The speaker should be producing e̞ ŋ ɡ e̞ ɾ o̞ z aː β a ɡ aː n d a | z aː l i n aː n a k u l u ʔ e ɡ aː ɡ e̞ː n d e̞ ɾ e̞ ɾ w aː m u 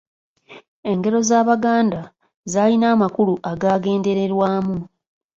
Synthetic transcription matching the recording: e̞ ŋ ɡ e̞ ɾ o̞ z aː β a ɡ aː n d a | z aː l i n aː m a k u l u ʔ a ɡ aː ɡ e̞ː n d e̞ ɾ e̞ ɾ w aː m u